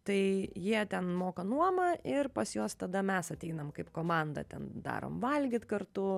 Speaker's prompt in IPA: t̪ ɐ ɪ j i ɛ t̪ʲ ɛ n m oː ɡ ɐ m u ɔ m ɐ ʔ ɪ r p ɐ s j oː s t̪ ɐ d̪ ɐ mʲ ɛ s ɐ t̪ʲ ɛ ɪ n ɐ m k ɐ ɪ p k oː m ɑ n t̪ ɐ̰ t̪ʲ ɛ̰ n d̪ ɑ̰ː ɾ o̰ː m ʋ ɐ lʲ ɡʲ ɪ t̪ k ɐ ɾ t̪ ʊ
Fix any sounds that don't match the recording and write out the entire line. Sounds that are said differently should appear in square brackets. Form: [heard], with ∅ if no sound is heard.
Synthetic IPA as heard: t̪ ɐ ɪ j i ɛ t̪ʲ ɛ n m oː [k] ɐ [n] u ɔ m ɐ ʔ ɪ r p ɐ s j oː s t̪ ɐ d̪ ɐ mʲ ɛ s ɐ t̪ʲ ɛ ɪ n ɐ m k ɐ ɪ p k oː m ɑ n [d̪] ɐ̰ t̪ʲ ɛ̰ n d̪ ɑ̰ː ɾ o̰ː m ʋ ɐ lʲ ɡʲ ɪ t̪ k ɐ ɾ t̪ ʊ